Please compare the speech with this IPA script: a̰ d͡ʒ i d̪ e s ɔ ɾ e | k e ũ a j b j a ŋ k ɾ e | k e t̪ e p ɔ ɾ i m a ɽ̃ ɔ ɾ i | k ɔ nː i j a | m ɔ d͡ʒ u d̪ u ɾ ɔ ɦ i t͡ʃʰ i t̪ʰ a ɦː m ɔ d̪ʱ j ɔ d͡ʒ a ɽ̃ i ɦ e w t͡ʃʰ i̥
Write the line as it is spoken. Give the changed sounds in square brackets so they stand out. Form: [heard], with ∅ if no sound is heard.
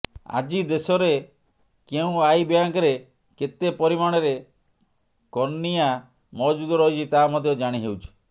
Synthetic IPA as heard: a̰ d͡ʒ i d̪ e s ɔ ɾ e | k e ũ a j b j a ŋ k ɾ e | k e t̪ e p ɔ ɾ i m a ɽ̃ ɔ ɾ [e] | k ɔ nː i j a | m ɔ d͡ʒ u d̪ [ɔ] ɾ ɔ ɦ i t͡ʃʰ i [t̪] a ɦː m ɔ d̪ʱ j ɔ d͡ʒ a ɽ̃ i ɦ e w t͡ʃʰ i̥